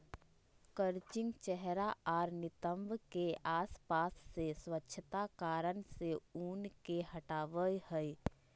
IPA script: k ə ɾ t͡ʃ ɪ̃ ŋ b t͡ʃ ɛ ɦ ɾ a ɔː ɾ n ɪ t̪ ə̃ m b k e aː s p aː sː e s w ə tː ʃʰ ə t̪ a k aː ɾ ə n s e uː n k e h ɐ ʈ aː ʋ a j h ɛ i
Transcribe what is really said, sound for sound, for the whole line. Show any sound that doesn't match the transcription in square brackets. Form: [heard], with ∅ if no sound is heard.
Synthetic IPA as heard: k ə ɾ t͡ʃ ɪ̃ ŋ [ɡ] t͡ʃ ɛ ɦ ɾ a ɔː ɾ n ɪ t̪ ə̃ m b k e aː s p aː sː e s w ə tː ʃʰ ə t̪ a k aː ɾ ə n s e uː n k e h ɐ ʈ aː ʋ [ə] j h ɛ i